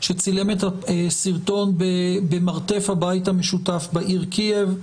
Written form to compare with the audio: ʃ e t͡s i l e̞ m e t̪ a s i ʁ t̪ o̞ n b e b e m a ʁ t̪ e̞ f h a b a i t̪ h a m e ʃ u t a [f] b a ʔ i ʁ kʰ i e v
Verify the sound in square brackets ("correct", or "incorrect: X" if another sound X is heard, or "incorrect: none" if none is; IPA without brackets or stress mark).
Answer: correct